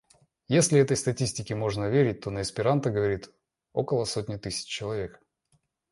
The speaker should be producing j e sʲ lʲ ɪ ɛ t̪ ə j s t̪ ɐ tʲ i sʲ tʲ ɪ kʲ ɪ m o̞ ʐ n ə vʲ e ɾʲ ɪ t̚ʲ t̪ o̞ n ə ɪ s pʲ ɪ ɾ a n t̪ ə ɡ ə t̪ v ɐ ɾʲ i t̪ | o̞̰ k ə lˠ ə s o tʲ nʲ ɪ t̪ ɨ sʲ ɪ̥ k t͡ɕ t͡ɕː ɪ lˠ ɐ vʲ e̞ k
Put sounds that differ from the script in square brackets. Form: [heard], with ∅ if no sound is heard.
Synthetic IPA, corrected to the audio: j e sʲ lʲ ɪ ɛ t̪ ə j s t̪ ɐ tʲ i sʲ tʲ ɪ kʲ ɪ m o̞ ʐ n ə vʲ e ɾʲ ɪ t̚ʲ t̪ o̞ n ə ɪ s pʲ ɪ ɾ a n t̪ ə ɡ ə [∅] v ɐ ɾʲ i t̪ | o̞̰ k ə lˠ ə s o tʲ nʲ ɪ t̪ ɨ sʲ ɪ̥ [∅] t͡ɕ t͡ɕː ɪ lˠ ɐ vʲ e̞ k